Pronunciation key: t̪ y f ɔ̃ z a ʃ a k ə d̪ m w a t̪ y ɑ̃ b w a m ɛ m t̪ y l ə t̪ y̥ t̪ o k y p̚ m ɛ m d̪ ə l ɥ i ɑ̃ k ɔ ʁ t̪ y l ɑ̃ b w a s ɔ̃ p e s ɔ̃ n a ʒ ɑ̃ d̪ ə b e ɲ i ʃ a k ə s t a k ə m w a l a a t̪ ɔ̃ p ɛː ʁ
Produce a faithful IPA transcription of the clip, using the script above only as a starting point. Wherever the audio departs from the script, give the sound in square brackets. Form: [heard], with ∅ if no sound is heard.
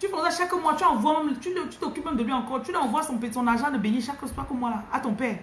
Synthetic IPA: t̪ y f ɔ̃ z a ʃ a k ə [∅] m w a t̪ y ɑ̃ [v] w a m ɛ m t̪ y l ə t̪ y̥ t̪ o k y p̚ m ɛ m d̪ ə l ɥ i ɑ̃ k ɔ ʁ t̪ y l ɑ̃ [v] w a s ɔ̃ p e s ɔ̃ n a ʒ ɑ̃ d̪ ə b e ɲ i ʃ a k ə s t a k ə m w a l a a t̪ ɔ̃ p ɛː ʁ